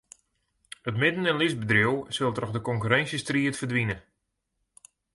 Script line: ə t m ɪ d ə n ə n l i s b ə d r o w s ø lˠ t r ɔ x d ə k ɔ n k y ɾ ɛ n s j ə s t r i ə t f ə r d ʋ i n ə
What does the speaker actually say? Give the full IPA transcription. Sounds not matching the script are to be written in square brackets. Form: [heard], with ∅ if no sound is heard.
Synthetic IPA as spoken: ə t m ɪ d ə n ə n l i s b ə d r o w s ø lˠ t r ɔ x d ə k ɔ [ŋ] k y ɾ ɛ n s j ə s t r i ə t f ə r d ʋ i n ə